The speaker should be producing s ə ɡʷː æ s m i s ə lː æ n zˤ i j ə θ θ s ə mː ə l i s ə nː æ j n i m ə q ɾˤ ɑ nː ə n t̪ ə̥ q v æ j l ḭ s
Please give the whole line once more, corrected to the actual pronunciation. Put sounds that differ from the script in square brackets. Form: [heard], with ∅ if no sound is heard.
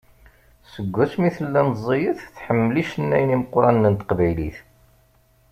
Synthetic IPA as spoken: s ə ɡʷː æ s m i [θ] ə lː æ n zˤ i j ə θ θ [ħ] ə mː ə l i [ʃ] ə nː æ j n i m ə q ɾˤ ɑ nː ə n t̪ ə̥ q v æ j l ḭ [θ]